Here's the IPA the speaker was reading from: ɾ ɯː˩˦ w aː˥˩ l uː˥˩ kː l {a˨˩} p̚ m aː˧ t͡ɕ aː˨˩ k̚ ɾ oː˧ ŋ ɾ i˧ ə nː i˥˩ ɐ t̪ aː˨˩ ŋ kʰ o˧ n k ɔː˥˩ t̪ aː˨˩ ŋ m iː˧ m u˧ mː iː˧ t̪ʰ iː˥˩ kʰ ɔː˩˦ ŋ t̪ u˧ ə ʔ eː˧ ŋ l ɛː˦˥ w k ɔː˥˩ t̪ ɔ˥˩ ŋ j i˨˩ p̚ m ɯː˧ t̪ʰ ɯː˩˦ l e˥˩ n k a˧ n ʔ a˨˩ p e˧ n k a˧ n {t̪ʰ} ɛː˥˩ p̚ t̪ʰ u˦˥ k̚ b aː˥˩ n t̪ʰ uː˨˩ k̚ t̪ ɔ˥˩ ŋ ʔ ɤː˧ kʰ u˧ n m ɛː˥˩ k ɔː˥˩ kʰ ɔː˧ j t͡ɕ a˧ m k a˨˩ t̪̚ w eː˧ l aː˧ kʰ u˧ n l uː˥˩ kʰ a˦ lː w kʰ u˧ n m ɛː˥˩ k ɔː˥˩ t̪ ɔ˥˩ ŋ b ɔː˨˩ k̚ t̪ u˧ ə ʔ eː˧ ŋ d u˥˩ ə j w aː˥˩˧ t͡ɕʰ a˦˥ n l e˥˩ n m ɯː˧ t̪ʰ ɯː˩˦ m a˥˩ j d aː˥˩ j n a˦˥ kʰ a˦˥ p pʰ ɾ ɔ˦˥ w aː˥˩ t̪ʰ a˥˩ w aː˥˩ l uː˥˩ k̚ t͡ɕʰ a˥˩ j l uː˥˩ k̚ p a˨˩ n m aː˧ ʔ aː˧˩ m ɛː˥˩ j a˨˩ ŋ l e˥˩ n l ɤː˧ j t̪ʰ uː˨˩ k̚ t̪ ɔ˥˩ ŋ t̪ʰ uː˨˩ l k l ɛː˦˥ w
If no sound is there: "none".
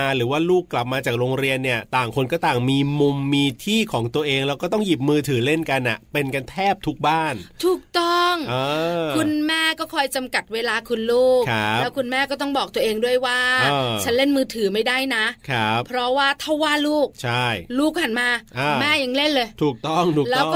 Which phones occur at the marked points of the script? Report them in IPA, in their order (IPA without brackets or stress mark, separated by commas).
a˨˩, t̪ʰ